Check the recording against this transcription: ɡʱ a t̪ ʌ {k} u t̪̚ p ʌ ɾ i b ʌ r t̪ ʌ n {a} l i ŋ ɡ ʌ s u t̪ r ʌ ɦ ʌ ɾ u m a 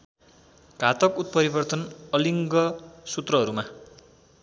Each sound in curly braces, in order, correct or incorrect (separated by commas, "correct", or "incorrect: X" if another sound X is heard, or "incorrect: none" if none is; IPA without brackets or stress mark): correct, incorrect: ʌ